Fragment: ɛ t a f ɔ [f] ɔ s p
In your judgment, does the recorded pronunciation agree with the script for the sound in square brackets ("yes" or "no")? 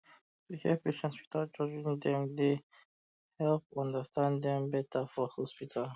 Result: no